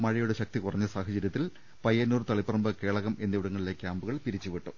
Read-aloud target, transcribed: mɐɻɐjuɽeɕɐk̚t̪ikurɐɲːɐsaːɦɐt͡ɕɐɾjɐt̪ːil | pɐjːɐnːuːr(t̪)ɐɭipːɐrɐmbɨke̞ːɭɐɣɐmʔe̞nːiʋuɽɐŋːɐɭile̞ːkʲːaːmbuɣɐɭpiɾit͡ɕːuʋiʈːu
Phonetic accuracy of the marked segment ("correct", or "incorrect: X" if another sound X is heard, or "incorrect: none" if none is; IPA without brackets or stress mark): correct